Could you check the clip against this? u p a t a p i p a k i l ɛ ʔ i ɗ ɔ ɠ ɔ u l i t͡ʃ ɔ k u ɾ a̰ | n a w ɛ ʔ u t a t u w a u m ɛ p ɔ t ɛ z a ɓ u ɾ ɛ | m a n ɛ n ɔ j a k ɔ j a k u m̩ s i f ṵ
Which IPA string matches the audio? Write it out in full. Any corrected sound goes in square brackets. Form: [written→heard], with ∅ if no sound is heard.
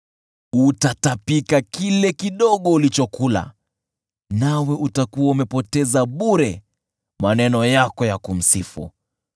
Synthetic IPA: u [p→t] a t a p i [p→k] a k i l ɛ [ʔ→k] i ɗ ɔ ɠ ɔ u l i t͡ʃ ɔ k u [ɾ→l] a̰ | n a w ɛ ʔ u t a [t→k] u w a u m ɛ p ɔ t ɛ z a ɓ u ɾ ɛ | m a n ɛ n ɔ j a k ɔ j a k u m̩ s i f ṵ